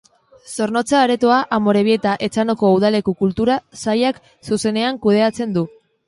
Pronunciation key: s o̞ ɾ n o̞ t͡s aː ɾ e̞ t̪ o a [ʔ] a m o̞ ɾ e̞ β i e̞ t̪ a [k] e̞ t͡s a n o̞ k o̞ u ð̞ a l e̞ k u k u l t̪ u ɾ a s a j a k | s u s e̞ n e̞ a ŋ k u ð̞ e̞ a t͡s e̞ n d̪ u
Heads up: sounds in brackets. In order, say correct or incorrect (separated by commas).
correct, incorrect